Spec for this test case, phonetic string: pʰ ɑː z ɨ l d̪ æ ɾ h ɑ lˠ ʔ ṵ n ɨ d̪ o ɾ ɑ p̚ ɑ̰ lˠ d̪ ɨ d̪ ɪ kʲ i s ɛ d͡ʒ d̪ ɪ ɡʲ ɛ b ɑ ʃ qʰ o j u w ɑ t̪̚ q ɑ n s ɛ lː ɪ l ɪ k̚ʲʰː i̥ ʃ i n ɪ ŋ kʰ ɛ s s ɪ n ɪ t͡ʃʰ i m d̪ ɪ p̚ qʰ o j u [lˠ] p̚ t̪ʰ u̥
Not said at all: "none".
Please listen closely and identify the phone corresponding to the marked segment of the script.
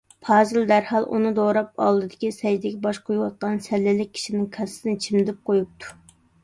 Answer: none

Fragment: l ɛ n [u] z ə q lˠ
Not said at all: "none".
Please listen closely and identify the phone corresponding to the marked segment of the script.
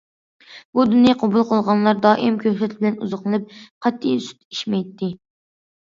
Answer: u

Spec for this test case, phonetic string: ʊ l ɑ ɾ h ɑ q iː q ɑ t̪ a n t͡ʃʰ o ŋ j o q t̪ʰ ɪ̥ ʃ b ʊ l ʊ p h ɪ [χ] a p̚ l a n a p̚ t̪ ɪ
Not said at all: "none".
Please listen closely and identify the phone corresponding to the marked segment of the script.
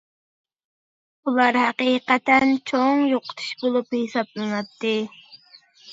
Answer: s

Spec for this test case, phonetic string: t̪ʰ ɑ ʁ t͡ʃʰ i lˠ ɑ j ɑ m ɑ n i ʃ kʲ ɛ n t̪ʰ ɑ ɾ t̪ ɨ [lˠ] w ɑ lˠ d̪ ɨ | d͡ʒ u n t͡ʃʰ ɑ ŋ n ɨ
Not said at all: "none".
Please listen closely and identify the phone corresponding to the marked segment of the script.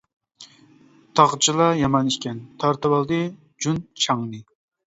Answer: none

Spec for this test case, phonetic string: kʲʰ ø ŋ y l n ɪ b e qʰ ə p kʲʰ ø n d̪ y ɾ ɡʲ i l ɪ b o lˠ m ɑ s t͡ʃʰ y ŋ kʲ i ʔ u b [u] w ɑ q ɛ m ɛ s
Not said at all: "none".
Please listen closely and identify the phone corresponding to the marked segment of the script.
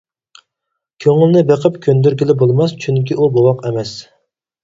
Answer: o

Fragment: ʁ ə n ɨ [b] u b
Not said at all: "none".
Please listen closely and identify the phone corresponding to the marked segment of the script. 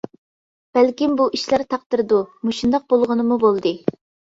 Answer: m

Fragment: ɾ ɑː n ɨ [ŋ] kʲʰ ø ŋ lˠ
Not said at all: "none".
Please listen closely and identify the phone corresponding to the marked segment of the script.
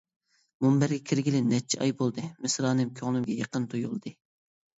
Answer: m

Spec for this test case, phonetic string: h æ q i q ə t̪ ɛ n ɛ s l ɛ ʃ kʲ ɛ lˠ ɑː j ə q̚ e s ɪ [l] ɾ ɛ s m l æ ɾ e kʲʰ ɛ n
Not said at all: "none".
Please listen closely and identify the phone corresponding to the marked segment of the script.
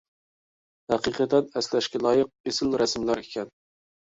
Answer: l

